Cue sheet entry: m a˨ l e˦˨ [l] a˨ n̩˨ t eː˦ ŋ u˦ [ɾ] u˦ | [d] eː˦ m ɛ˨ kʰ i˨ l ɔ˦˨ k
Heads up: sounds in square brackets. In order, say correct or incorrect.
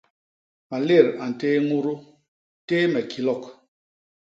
incorrect: ɾ, correct, incorrect: t

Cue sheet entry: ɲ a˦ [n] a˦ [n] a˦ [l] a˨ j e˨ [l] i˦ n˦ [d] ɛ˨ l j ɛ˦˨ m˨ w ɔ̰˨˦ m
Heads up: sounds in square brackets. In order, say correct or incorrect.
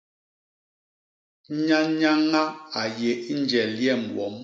incorrect: ɲ, incorrect: ŋ, incorrect: none, incorrect: none, incorrect: d͡ʒ

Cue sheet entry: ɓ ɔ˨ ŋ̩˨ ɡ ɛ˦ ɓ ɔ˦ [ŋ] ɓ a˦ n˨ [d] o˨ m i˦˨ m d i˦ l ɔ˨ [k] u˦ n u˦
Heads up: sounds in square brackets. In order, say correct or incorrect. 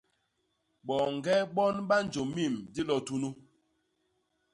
incorrect: n, incorrect: d͡ʒ, incorrect: t

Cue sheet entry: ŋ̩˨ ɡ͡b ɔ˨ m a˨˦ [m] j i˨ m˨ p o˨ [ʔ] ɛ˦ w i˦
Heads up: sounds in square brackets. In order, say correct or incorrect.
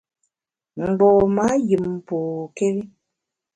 incorrect: none, incorrect: k

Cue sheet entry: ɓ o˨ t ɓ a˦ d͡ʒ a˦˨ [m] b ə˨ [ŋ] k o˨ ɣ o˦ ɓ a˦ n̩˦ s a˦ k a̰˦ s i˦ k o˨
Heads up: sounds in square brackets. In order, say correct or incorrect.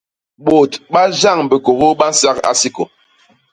incorrect: ŋ, incorrect: none

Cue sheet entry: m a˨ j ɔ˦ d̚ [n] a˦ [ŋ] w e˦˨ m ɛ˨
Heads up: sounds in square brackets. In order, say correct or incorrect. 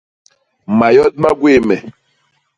incorrect: m, incorrect: ɡ

